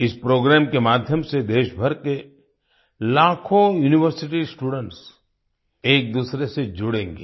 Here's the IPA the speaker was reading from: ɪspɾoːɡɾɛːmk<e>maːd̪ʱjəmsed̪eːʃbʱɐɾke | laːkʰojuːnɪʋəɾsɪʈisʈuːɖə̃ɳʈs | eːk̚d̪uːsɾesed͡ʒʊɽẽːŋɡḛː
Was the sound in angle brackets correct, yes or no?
yes